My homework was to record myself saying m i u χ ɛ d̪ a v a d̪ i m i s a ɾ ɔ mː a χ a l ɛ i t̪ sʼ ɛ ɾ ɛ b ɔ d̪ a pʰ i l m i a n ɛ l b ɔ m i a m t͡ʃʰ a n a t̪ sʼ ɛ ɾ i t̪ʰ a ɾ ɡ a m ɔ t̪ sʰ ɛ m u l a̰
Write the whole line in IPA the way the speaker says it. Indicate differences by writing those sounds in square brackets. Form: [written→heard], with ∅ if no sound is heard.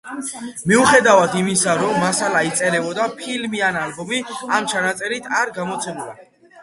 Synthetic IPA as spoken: m i u χ ɛ d̪ a v a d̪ i m i s a ɾ ɔ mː a [χ→s] a l [ɛ→a] i t̪ sʼ ɛ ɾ ɛ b ɔ d̪ a pʰ i l m i a n [ɛ→a] l b ɔ m i a m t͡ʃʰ a n a t̪ sʼ ɛ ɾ i t̪ʰ a ɾ ɡ a m ɔ t̪ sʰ ɛ m u l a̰